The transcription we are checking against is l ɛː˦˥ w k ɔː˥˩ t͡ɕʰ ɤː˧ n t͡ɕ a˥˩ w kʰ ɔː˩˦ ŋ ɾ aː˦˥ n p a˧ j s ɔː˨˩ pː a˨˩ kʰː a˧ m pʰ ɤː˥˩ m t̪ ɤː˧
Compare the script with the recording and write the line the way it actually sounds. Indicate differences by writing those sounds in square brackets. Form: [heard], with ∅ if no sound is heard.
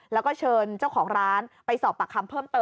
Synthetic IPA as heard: l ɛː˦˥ w k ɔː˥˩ t͡ɕʰ ɤː˧ n t͡ɕ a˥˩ w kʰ ɔː˩˦ ŋ ɾ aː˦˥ n p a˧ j s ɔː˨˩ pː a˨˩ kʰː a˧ m pʰ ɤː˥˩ m t̪ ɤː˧